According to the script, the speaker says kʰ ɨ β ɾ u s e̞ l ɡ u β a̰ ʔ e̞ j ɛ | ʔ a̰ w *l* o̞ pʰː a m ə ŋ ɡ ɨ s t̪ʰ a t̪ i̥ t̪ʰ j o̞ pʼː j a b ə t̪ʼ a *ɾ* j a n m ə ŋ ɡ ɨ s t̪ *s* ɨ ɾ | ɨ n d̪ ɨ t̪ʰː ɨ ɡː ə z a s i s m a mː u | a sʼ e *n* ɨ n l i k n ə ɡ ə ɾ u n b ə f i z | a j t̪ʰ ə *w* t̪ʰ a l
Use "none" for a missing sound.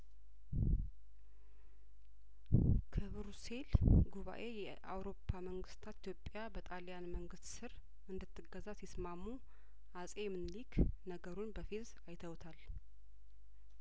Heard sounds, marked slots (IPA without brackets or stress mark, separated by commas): ɾ, l, s, m, w